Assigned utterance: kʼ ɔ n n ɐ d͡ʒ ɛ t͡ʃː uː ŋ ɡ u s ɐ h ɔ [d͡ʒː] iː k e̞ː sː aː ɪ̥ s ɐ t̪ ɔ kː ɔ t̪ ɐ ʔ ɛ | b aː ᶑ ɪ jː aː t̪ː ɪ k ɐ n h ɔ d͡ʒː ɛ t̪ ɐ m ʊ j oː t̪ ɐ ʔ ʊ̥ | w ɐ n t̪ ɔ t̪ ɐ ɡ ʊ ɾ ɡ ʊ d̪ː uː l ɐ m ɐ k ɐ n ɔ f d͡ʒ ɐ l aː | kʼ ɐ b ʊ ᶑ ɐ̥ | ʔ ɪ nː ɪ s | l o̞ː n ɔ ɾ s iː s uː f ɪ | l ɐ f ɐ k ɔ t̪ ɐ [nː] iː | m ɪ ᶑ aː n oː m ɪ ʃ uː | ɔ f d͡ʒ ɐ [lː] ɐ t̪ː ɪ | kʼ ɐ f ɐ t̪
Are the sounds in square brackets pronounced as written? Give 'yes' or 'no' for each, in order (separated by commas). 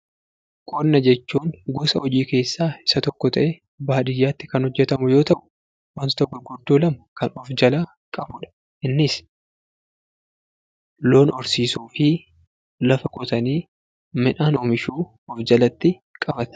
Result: no, no, no